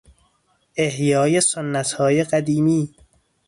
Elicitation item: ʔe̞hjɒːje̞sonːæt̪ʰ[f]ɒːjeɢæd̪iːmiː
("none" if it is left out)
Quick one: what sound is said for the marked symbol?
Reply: h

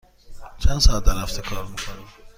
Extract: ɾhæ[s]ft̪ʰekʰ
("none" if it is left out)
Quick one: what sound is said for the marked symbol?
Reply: none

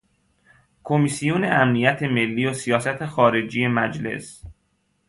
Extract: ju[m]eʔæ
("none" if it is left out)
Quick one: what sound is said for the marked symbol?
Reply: n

